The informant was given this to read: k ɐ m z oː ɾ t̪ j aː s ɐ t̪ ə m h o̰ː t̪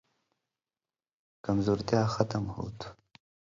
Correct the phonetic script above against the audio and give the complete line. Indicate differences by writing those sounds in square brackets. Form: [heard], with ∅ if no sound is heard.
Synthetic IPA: k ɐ m z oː ɾ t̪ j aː [x] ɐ t̪ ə m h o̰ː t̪